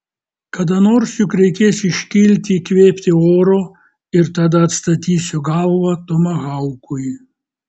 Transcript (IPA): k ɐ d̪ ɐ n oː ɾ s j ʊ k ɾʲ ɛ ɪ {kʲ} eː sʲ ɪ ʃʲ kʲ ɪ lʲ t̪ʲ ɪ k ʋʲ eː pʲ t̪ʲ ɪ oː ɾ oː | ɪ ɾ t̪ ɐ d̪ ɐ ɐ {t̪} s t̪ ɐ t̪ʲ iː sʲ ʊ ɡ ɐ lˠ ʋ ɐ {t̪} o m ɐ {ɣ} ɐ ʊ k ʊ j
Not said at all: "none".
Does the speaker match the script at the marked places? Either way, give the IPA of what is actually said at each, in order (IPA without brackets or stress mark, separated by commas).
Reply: kʲ, t̪, t̪, ɣ